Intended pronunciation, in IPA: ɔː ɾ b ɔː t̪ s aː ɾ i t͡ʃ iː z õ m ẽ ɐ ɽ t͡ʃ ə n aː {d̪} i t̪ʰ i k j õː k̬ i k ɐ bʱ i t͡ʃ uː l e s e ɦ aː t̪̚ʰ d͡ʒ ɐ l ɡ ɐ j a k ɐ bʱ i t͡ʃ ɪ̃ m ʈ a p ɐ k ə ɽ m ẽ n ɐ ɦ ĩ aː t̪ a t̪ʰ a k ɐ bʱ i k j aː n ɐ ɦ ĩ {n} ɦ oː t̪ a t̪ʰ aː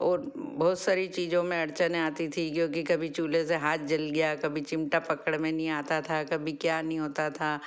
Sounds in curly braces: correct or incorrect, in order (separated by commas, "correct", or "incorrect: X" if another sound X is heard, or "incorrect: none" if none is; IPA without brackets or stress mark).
incorrect: t̪, incorrect: none